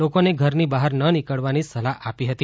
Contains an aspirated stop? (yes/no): no